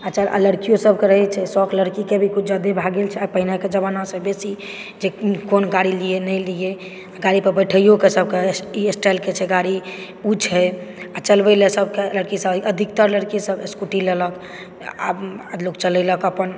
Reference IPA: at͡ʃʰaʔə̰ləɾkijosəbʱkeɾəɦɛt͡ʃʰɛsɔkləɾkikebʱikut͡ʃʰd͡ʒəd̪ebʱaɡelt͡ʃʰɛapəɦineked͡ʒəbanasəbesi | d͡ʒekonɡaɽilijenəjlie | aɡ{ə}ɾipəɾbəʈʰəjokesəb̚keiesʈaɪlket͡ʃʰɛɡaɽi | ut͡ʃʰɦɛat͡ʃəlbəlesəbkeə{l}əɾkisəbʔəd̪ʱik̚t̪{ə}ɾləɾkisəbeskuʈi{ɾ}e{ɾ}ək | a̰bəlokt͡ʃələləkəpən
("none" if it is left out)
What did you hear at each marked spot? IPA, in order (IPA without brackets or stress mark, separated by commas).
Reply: a, l, ə, l, l